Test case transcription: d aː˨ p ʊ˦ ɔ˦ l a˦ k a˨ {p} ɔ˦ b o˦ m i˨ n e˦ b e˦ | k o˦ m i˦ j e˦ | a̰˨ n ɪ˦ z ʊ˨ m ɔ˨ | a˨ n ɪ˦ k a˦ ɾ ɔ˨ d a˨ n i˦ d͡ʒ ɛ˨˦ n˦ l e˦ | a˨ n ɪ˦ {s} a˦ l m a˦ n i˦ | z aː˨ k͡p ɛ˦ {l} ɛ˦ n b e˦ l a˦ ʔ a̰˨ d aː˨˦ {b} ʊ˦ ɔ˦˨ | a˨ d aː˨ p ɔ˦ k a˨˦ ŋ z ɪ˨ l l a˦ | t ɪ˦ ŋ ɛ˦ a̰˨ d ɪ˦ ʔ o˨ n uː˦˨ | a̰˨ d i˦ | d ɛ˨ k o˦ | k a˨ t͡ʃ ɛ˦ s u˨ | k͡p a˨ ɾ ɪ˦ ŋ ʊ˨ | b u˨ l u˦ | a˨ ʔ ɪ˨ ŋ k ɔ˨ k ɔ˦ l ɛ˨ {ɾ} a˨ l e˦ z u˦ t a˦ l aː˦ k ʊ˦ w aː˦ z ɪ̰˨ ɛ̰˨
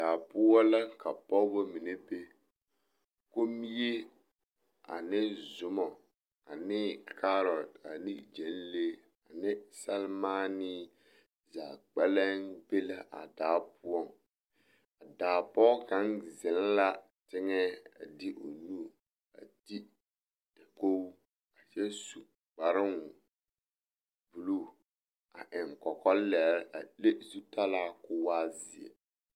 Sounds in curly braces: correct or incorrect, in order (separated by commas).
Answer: correct, correct, correct, incorrect, correct